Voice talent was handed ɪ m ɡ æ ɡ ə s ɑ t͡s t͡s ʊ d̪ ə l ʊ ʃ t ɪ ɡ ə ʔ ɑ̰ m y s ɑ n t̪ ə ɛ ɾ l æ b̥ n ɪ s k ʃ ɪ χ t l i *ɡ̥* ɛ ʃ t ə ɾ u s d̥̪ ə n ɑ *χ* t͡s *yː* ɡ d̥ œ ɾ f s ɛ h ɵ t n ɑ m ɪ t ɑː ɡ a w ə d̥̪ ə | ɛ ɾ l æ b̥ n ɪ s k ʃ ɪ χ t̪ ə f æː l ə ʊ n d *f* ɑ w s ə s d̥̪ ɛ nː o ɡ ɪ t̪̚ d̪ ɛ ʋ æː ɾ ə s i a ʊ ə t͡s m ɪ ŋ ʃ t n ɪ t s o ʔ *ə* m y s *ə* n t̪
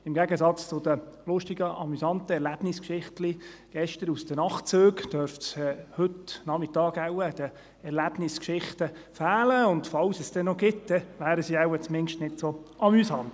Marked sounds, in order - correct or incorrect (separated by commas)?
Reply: correct, correct, incorrect, correct, incorrect, incorrect